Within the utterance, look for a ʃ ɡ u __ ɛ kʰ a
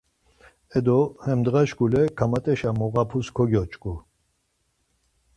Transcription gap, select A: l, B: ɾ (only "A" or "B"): A